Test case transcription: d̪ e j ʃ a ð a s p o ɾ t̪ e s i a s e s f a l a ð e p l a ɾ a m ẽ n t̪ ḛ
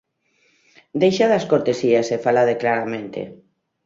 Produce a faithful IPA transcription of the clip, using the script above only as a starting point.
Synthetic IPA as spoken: d̪ e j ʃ a ð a s k o ɾ t̪ e s i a s e f a l a ð e k l a ɾ a m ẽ n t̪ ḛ